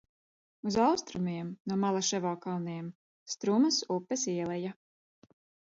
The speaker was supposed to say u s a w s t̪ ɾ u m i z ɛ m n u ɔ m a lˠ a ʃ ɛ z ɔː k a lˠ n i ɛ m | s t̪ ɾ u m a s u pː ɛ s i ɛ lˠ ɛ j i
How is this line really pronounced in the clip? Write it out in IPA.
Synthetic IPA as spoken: u z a w s t̪ ɾ u m i ɛ m n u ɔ m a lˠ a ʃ ɛ v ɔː k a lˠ n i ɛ m | s t̪ ɾ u m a s u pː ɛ s i ɛ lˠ ɛ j a